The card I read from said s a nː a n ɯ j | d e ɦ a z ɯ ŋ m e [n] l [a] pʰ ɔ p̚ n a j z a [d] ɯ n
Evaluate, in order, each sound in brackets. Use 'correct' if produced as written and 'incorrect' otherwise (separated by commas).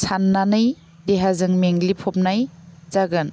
incorrect, incorrect, incorrect